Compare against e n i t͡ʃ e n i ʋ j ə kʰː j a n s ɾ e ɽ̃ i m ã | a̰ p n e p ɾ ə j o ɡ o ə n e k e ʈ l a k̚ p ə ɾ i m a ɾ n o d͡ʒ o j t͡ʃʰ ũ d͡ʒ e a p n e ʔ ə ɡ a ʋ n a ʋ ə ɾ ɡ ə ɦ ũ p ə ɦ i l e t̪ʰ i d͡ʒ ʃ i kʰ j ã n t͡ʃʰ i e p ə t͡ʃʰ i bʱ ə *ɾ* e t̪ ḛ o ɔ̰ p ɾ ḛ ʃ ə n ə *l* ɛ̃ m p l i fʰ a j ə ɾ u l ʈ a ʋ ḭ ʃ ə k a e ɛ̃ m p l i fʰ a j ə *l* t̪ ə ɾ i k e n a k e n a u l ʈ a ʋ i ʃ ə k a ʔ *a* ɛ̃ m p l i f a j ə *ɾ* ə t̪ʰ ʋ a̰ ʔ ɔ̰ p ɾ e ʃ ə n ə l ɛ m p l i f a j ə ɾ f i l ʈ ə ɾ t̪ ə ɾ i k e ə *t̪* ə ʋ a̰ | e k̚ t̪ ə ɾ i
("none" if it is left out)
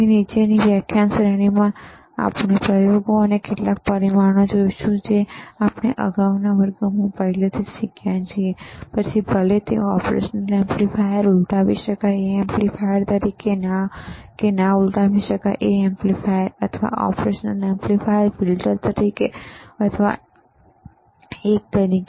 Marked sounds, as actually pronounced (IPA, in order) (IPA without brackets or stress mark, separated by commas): l, l, ɾ, e, ɾ, t̪ʰ